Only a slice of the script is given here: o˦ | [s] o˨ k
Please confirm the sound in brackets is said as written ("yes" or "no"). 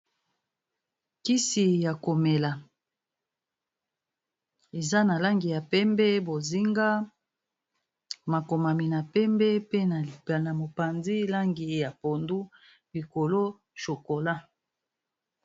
no